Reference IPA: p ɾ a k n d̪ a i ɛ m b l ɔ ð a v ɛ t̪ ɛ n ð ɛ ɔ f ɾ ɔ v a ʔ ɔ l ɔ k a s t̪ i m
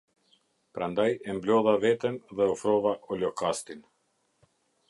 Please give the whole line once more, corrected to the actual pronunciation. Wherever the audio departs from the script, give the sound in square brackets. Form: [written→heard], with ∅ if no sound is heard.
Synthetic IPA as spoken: p ɾ a [k→∅] n d̪ a [i→j] ɛ m b l ɔ ð a v ɛ t̪ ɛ n ð ɛ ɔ f ɾ ɔ v a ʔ ɔ l ɔ k a s t̪ i [m→n]